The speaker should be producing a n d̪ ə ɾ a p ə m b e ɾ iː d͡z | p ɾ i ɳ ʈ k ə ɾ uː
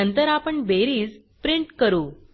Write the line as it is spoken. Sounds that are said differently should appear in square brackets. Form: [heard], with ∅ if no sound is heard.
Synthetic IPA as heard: [ə] n [t̪] ə ɾ a p ə [ɳ] b e ɾ iː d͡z | p ɾ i ɳ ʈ k ə ɾ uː